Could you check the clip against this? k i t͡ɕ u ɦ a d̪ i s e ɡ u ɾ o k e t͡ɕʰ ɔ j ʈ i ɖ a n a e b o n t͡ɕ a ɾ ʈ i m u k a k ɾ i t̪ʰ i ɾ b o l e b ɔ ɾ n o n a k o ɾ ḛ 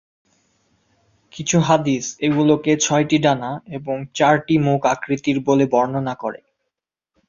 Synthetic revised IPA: k i t͡ɕʰ u ɦ a d̪ i s e ɡ u l o k e t͡ɕʰ ɔ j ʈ i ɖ a n a e b o ŋ t͡ɕ a ɾ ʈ i m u k a k ɾ i t̪ i ɾ b o l e b ɔ ɾ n o n a k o ɾ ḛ